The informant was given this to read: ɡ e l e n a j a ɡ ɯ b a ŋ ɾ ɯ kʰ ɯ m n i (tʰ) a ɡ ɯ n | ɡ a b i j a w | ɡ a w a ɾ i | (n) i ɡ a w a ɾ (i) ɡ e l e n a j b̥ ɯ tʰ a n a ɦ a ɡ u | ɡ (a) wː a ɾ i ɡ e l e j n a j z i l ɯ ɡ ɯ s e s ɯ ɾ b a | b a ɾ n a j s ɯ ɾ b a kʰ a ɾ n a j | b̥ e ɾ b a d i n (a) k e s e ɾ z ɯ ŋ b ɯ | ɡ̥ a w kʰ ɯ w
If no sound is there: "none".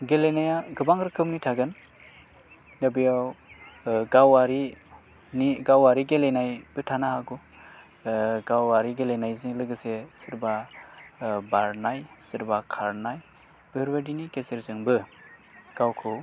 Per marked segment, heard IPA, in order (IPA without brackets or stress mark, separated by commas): tʰ, n, i, a, i